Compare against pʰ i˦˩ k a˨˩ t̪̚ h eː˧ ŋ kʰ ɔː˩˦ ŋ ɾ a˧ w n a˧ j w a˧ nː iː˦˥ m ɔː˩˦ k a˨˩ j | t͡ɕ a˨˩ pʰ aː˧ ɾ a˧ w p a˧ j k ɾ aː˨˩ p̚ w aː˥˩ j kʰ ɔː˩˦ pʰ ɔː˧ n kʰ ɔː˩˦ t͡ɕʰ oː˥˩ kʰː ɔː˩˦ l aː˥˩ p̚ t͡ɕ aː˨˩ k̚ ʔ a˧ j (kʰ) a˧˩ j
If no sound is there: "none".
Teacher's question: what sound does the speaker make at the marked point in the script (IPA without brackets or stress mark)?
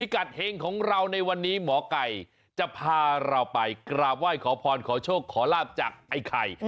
kʰ